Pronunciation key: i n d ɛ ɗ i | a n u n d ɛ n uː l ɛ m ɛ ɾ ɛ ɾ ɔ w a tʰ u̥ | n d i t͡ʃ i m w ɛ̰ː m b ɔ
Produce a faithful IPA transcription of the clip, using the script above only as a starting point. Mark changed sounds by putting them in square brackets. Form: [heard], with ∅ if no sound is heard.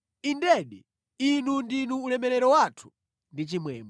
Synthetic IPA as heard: i n d ɛ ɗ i | [i] n u n d [i] n uː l ɛ m ɛ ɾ ɛ ɾ ɔ w a tʰ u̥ | n d i t͡ʃ i m w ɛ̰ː m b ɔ